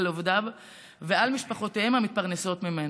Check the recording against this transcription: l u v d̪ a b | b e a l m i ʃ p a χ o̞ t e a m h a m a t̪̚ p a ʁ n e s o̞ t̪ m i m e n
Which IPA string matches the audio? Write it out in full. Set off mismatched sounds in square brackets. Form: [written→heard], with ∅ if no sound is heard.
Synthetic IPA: l [u→o] v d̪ a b | [b→v] e a l m i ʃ p a χ o̞ t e [a→e] m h a m [a→i] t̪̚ p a ʁ n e s o̞ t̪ m i m e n